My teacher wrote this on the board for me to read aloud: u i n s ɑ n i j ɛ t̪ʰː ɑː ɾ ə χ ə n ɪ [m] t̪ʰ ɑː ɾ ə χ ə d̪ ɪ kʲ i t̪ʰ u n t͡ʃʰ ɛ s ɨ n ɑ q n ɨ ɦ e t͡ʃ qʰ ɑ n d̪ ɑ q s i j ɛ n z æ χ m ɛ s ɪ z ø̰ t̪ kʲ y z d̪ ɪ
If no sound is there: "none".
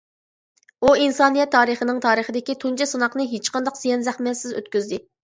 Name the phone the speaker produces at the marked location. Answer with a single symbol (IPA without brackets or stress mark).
ŋ